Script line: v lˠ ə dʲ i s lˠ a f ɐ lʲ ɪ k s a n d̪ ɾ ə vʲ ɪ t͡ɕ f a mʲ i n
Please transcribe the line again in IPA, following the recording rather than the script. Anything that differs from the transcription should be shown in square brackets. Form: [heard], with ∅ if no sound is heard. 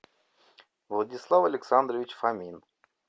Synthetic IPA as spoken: v lˠ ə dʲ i s lˠ a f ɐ lʲ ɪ k s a n d̪ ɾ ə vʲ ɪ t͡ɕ f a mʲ i n